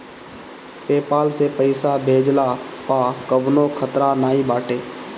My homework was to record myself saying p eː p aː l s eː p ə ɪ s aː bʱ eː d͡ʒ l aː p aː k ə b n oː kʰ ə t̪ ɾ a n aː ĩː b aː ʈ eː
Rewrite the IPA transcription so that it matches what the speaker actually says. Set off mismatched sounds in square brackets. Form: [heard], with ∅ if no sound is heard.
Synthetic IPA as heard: p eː p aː l s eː p ə ɪ s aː bʱ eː d͡ʒ l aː p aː k ə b n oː kʰ ə t̪ ɾ a n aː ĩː b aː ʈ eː